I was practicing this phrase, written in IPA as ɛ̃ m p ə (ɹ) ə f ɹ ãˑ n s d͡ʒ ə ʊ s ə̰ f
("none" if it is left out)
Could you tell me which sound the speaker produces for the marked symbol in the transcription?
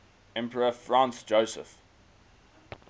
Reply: ɹ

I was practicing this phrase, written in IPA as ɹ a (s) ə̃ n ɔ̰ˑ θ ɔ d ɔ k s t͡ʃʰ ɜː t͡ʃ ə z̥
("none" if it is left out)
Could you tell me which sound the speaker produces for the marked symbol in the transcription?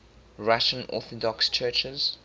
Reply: ʃ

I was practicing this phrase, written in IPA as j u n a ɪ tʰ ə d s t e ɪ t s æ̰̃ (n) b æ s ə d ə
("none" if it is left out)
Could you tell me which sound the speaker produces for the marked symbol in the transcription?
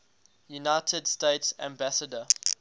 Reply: m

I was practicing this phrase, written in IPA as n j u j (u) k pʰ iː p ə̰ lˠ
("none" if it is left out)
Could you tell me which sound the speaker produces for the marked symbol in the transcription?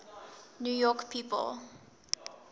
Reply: ɔ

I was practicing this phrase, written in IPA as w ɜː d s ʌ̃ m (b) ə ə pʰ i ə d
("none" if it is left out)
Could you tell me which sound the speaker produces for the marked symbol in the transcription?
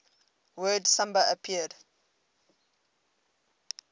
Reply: b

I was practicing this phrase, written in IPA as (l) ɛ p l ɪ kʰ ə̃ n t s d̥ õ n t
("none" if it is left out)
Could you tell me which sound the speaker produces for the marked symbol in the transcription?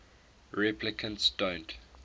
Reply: ɹ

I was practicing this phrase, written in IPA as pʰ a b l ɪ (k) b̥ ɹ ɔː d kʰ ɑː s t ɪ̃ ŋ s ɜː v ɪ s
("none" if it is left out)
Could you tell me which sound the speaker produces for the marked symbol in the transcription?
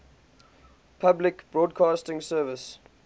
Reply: k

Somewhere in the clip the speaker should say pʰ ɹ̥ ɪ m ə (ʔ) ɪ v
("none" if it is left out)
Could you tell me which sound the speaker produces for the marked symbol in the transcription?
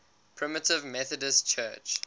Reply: t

